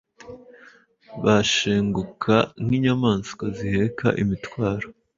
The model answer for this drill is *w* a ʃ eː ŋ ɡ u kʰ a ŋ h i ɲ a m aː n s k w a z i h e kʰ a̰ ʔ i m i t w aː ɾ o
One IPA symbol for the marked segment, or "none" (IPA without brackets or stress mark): β